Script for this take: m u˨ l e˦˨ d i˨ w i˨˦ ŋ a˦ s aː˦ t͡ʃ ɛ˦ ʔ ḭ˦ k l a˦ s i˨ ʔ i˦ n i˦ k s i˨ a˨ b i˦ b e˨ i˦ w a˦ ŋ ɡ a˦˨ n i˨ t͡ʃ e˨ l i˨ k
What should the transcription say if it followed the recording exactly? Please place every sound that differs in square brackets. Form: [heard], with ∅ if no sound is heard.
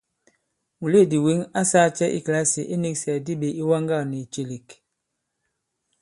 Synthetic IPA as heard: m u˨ l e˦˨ d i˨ w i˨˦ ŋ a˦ s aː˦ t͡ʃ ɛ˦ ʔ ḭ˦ k l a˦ s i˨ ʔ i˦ n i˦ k s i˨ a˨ [d] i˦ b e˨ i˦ w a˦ ŋ ɡ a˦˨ n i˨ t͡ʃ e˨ l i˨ k